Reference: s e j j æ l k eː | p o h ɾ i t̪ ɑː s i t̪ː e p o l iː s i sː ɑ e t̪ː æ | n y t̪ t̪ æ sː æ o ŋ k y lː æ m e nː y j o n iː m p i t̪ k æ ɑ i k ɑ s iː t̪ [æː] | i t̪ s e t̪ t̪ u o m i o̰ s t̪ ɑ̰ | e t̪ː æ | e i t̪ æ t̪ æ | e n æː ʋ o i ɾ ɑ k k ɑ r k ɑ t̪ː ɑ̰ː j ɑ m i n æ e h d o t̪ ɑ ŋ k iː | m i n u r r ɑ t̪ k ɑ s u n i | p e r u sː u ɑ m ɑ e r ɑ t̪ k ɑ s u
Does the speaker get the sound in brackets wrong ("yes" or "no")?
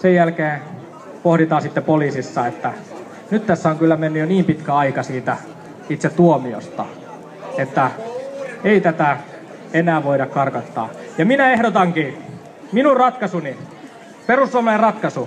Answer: yes